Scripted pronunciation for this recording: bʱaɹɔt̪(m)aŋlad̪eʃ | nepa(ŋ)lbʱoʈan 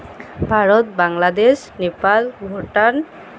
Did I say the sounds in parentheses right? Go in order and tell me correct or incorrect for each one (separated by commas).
incorrect, incorrect